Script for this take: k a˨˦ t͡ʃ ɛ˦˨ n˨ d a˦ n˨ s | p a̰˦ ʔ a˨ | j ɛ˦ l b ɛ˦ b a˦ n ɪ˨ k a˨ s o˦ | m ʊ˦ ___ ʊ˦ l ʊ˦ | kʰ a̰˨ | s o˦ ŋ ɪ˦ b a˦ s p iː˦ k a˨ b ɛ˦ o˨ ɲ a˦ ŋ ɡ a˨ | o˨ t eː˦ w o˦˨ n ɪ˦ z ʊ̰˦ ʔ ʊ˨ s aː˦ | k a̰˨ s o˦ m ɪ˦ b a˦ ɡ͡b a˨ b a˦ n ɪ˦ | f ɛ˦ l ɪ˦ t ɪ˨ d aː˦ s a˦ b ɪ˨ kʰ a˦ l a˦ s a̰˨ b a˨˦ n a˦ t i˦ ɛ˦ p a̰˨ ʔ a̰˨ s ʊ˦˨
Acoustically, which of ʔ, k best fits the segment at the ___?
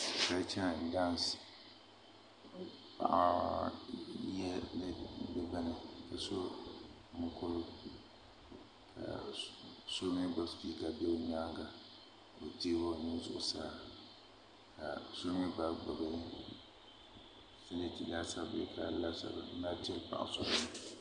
k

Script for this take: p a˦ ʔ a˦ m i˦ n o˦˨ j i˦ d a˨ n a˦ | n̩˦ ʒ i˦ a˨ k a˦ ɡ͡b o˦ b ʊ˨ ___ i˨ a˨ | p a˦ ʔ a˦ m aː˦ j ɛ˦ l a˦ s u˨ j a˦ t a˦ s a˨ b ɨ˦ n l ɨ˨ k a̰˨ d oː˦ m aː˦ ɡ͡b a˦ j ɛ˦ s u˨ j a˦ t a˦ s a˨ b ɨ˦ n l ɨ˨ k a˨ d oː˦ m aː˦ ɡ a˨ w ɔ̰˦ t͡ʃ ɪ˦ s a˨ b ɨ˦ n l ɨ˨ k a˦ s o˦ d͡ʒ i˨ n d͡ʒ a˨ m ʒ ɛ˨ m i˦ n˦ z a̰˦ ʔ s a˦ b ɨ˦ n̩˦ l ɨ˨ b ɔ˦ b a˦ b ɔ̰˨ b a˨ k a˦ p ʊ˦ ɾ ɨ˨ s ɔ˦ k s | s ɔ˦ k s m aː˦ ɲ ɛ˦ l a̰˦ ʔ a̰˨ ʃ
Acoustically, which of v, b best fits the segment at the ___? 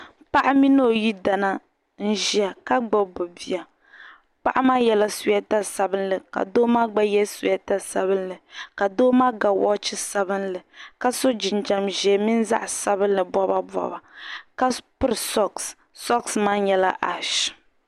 b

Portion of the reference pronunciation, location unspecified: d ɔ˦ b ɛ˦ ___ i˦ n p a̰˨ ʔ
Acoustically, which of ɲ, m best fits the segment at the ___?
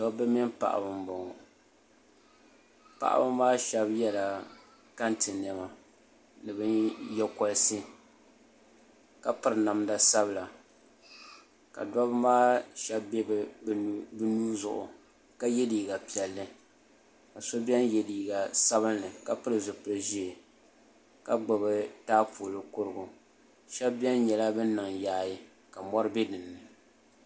m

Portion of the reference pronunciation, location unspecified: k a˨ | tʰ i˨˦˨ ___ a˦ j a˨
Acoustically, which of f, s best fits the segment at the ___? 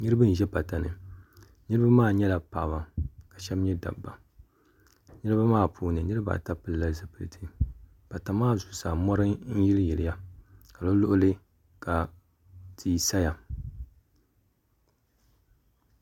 s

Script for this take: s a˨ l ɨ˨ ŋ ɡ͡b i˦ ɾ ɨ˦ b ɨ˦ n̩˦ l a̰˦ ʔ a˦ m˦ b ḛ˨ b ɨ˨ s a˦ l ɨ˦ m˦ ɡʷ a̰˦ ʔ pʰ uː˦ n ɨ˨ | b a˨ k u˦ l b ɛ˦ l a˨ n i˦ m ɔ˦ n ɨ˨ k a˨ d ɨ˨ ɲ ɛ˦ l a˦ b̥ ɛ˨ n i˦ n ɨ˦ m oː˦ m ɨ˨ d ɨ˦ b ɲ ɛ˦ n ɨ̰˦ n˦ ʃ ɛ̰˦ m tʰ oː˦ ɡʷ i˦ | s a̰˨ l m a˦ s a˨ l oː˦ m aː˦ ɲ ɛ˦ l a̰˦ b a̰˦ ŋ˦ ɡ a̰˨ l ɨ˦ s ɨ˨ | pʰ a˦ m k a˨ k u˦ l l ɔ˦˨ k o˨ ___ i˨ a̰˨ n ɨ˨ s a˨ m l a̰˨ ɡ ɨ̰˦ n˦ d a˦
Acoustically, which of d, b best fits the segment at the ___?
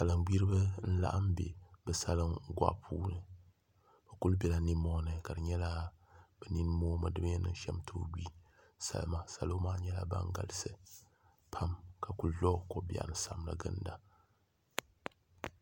b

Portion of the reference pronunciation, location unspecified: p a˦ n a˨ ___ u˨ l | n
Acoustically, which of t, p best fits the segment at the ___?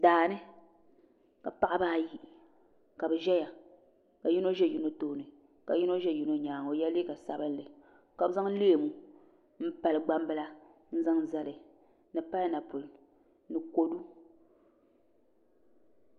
p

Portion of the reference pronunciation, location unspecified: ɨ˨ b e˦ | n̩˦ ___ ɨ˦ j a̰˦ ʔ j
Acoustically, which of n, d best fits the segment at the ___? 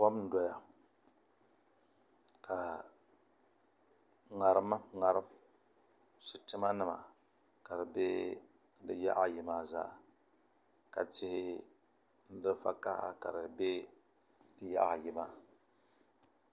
d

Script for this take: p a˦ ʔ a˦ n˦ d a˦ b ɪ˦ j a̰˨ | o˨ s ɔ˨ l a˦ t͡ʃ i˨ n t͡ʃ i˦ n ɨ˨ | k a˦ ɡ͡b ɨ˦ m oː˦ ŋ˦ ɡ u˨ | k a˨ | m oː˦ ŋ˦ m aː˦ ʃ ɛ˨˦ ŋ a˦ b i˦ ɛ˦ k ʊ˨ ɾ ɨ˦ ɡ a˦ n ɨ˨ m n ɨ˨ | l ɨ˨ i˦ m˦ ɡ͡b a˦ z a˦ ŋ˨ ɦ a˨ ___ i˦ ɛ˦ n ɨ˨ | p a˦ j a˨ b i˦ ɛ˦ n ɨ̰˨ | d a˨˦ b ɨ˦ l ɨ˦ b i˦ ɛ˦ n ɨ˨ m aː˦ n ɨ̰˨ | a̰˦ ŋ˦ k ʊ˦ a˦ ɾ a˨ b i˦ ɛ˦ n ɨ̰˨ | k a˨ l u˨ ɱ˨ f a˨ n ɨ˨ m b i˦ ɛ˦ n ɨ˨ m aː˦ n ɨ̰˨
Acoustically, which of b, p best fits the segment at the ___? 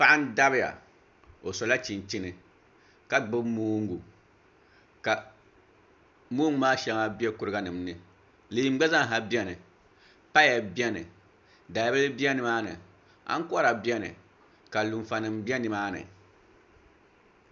b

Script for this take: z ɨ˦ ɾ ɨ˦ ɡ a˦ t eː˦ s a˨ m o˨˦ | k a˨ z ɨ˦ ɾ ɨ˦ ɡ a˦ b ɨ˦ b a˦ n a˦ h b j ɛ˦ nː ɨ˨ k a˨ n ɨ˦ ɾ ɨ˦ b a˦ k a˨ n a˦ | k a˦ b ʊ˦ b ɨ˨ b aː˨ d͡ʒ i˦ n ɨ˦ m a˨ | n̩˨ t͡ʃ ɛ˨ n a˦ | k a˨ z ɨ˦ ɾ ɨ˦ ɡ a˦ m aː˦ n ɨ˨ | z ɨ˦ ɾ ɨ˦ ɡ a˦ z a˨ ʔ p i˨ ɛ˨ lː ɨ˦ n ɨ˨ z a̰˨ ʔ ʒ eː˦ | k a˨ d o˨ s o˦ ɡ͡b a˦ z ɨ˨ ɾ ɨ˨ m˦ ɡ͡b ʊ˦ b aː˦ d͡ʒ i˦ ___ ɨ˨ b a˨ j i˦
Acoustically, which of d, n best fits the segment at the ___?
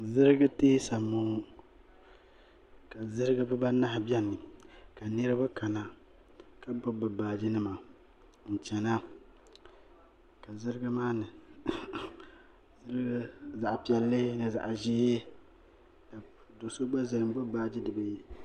d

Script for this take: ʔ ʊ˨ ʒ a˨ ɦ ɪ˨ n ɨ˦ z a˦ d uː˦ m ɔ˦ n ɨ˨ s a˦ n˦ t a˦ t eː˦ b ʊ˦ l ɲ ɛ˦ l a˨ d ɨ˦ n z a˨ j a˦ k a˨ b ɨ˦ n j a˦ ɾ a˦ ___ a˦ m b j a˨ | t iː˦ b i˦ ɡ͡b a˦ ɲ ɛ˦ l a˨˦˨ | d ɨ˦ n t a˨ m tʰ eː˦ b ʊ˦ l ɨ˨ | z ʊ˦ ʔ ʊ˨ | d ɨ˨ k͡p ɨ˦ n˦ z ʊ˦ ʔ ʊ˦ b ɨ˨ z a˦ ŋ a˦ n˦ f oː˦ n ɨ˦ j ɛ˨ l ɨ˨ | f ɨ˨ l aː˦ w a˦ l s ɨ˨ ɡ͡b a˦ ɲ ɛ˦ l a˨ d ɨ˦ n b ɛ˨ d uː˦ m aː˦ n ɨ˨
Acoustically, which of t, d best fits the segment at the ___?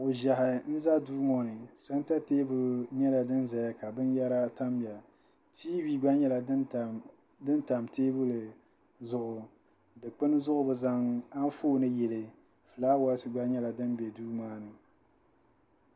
t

